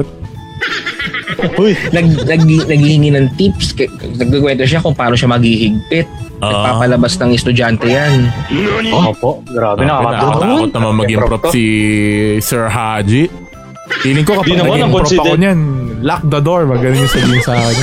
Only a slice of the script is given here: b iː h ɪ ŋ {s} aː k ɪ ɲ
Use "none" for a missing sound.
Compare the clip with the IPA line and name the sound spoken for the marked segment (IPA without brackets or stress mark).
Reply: s